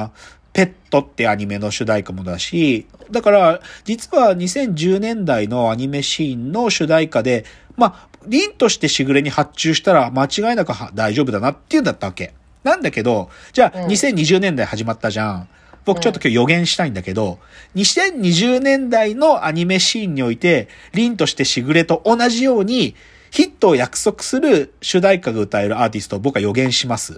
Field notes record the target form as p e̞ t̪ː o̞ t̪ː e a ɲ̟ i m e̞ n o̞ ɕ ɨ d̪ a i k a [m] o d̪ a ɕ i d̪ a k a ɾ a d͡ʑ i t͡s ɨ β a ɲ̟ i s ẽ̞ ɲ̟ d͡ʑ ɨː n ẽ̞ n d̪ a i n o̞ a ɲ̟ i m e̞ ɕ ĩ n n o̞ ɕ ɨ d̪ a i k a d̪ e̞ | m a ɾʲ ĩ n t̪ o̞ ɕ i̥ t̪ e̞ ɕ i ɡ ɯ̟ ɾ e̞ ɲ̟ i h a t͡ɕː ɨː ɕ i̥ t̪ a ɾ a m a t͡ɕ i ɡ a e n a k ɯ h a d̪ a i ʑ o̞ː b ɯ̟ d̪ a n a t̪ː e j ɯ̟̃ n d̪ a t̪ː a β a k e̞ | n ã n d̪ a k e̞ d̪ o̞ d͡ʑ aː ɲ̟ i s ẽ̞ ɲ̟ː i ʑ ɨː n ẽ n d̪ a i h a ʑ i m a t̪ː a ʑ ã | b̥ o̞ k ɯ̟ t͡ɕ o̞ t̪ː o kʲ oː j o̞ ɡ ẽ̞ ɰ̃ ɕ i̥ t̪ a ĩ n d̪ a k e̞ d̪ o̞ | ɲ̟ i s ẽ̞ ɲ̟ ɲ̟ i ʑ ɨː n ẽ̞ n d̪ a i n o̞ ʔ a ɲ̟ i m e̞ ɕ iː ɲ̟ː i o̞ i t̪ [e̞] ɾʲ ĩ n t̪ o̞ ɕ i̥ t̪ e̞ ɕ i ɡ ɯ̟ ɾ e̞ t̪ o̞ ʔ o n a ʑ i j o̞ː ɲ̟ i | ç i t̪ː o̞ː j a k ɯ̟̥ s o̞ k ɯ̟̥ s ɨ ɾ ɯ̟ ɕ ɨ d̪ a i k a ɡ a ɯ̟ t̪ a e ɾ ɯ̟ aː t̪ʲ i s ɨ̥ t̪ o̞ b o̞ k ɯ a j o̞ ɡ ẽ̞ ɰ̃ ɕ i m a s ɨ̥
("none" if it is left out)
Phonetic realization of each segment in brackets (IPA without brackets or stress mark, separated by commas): m, e̞